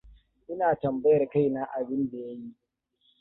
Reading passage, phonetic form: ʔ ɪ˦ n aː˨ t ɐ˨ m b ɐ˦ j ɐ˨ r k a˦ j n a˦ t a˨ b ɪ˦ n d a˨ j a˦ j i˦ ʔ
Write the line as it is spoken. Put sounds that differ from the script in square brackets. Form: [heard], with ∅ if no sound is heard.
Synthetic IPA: ʔ ɪ˦ n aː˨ t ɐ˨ m b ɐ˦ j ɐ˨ r k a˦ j n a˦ [ʔ] a˨ b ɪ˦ n d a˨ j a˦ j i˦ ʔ